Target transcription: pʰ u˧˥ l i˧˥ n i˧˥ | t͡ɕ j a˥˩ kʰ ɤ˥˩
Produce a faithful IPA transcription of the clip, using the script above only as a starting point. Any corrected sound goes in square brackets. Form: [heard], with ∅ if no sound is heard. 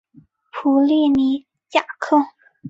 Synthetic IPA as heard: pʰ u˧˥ l [i˥˩] n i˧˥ | t͡ɕ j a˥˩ kʰ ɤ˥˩